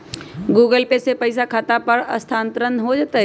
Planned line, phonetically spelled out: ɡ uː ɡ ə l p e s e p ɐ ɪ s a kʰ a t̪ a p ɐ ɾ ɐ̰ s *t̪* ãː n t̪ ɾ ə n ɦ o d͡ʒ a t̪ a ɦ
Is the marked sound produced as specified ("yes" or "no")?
no